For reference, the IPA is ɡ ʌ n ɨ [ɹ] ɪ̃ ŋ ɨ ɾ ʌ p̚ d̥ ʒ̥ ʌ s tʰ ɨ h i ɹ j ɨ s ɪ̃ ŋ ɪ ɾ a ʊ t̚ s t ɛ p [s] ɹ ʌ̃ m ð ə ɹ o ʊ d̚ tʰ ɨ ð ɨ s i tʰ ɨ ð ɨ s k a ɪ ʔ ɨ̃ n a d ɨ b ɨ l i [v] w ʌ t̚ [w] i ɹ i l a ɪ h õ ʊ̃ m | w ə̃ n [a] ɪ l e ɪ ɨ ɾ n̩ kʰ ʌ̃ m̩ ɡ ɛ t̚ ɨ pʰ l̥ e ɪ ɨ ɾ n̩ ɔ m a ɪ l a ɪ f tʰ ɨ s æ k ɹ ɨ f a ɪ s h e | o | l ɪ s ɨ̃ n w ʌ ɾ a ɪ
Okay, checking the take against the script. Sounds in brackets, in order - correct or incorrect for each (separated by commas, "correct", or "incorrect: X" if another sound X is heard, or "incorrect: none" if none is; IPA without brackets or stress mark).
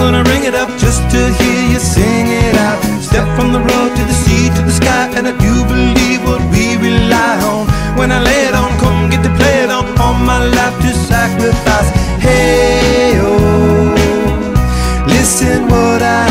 correct, incorrect: f, correct, correct, correct